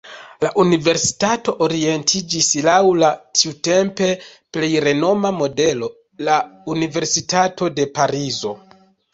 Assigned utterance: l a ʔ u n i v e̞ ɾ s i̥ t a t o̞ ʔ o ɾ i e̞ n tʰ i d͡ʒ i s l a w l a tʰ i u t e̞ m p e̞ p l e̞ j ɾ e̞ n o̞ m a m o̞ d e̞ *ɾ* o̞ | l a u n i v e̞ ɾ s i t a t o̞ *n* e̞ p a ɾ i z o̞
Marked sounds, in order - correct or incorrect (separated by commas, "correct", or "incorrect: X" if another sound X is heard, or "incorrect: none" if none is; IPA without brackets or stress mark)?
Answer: incorrect: l, incorrect: d